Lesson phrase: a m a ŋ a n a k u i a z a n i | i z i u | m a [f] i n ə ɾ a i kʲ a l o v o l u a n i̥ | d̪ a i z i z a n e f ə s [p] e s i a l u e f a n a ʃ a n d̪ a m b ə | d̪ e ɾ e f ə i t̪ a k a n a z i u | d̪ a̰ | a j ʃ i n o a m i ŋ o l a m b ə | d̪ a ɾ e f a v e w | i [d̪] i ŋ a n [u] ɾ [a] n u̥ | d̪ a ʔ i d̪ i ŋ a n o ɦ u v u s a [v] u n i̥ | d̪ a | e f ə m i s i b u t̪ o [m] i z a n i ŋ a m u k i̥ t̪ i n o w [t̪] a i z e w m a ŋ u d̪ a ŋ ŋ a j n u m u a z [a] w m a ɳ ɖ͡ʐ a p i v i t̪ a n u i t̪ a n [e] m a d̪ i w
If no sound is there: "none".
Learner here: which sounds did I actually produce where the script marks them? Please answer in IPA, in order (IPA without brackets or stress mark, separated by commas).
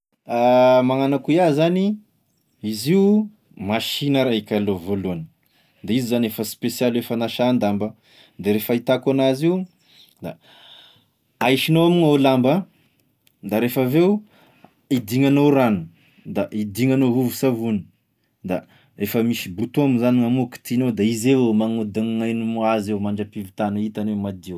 ʃ, p, d̪, o, a, v, m, d̪, e, e